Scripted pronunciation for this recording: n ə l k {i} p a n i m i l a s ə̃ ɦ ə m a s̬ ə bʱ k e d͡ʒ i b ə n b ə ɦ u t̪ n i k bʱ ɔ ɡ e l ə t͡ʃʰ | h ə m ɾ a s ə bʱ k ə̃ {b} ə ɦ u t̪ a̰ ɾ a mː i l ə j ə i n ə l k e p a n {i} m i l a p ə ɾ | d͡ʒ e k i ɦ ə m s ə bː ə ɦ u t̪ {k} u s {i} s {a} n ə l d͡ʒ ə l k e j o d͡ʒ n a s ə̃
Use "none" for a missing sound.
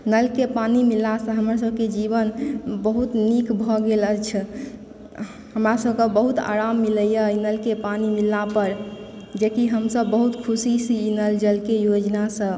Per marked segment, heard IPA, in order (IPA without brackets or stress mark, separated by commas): e, b, i, kʰ, i, i